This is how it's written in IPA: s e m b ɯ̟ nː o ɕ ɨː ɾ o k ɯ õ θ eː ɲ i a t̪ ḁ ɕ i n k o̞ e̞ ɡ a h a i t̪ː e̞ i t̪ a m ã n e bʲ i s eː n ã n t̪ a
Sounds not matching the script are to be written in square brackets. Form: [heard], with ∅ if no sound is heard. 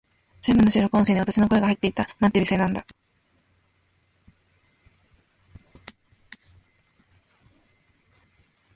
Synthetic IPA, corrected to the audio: s e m b ɯ̟ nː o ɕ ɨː ɾ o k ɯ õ [s] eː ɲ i a t̪ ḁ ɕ i n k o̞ e̞ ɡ a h a i t̪ː e̞ i t̪ a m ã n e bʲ i s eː n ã n [d̪] a